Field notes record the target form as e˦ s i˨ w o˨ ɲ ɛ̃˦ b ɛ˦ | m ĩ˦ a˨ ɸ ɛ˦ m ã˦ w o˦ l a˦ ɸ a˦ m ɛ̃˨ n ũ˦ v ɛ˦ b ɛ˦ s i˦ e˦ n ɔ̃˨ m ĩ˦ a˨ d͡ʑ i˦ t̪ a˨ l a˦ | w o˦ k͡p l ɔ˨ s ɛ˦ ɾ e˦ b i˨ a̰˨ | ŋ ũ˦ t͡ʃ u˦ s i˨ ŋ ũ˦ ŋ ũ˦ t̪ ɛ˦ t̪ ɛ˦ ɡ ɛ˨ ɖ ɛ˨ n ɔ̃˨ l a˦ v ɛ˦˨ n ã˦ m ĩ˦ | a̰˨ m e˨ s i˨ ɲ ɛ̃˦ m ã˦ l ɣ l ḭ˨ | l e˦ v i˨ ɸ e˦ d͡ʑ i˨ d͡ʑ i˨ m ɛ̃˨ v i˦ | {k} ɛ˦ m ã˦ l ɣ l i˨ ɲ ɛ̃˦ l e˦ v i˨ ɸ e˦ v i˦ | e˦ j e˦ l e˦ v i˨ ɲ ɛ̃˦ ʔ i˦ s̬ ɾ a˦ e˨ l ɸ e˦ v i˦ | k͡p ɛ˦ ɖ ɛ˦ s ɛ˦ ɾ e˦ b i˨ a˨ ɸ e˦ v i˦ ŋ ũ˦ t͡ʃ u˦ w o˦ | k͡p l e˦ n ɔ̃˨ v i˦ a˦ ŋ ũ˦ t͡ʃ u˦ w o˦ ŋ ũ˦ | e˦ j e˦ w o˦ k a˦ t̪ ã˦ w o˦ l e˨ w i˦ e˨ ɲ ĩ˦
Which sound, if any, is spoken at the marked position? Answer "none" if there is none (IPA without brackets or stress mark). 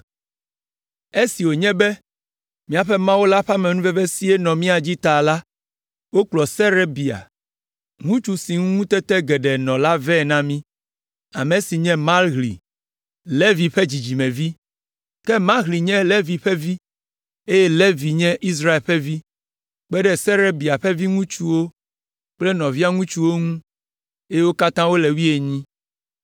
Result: k